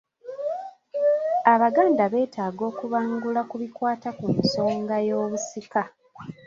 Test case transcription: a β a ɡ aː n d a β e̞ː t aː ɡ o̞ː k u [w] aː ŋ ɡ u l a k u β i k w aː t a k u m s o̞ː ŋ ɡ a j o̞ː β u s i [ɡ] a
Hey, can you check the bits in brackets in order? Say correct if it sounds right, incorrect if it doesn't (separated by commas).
incorrect, incorrect